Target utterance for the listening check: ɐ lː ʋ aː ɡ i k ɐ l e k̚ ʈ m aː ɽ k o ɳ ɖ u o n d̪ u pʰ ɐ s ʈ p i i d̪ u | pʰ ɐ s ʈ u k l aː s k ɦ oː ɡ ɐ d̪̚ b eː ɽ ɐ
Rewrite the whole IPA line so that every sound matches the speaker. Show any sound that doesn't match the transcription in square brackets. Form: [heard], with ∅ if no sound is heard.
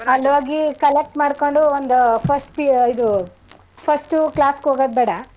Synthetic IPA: ɐ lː ʋ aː ɡ i k ɐ l e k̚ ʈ m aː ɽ k o ɳ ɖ u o n d̪ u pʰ ɐ s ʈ p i i d̪ u | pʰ ɐ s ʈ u k l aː s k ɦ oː ɡ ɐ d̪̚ b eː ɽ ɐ